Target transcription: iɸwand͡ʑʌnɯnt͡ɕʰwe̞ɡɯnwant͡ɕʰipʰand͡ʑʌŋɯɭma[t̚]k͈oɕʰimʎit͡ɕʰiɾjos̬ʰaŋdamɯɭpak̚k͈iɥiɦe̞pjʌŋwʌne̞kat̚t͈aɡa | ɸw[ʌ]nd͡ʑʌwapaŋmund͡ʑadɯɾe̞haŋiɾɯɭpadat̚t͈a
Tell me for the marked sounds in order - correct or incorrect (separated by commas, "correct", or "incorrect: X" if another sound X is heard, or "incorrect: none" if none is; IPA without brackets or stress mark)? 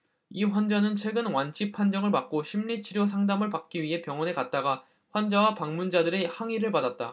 incorrect: k̚, incorrect: a